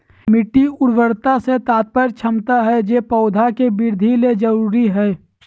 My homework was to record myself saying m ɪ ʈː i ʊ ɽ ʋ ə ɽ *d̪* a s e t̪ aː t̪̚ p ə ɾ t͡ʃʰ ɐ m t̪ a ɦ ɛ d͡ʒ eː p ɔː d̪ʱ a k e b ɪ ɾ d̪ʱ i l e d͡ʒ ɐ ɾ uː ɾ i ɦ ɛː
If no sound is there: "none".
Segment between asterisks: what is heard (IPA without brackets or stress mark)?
t̪